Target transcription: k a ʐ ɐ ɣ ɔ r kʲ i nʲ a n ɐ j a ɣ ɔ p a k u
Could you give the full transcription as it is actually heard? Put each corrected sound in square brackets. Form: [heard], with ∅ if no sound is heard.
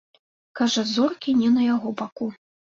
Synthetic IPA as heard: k a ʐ ɐ [z] ɔ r kʲ i nʲ [ɛ] n ɐ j a ɣ ɔ [b] a k u